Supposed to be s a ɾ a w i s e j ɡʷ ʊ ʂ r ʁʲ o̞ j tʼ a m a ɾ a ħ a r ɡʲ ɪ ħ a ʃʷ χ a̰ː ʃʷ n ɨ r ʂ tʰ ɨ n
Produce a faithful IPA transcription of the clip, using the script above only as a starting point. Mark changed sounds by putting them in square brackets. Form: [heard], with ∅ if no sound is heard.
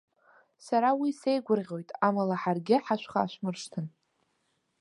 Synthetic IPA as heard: s a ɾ a w i s e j ɡʷ ʊ [∅] r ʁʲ o̞ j tʼ a m a [l] a ħ a r ɡʲ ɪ ħ a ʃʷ χ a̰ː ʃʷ [m] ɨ r ʂ tʰ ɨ n